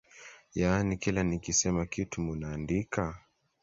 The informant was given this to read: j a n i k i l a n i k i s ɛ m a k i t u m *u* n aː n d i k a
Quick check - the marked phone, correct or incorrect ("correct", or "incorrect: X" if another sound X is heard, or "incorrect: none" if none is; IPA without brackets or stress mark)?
correct